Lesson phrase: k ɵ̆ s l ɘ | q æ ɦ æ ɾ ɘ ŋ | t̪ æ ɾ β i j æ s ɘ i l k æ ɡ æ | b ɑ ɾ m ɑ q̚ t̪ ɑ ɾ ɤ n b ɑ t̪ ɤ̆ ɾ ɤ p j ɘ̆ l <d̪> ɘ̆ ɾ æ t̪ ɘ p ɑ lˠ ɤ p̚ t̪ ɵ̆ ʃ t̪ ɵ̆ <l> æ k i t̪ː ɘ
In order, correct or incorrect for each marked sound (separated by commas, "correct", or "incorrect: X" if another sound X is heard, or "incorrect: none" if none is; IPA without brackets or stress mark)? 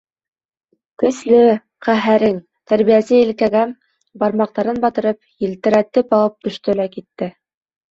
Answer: incorrect: t̪, correct